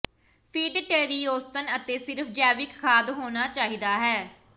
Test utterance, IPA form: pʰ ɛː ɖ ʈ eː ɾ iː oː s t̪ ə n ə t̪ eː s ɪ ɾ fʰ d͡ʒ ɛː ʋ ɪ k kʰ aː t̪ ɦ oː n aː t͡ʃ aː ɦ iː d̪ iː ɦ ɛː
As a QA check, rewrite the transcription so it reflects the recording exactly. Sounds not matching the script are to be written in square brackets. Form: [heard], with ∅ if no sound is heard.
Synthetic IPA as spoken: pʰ [iː] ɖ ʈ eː ɾ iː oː s t̪ ə n ə t̪ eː s ɪ ɾ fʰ d͡ʒ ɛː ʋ ɪ k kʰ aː [d̪] ɦ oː n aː t͡ʃ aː ɦ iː d̪ [aː] ɦ ɛː